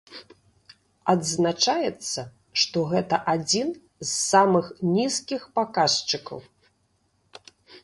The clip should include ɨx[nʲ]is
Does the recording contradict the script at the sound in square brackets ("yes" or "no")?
no